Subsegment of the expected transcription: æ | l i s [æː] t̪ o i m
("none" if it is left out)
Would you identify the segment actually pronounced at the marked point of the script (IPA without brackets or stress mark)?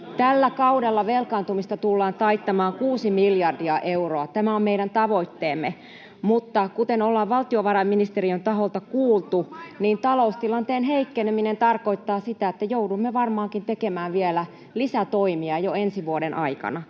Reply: æ